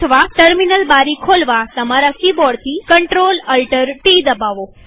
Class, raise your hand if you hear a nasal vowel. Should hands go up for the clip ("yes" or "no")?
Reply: no